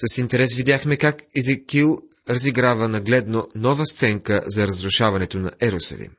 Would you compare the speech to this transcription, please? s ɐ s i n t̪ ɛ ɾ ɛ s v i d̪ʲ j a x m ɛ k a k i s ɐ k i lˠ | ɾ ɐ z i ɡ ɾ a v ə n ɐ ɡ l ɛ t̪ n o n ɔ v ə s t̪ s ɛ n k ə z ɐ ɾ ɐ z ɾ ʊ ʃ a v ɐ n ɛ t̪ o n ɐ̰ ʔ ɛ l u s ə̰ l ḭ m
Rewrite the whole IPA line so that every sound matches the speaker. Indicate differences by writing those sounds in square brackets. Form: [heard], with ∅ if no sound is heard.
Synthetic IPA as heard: s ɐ s i n t̪ ɛ ɾ ɛ s v i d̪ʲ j a x m ɛ k a k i [z] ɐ k i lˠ | ɾ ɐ z i ɡ ɾ a v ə n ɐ ɡ l ɛ [d̪] n o n ɔ v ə s t̪ s ɛ [ŋ] k ə z ɐ ɾ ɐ z ɾ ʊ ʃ a v ɐ n ɛ t̪ o n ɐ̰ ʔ ɛ [ɾ] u s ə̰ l ḭ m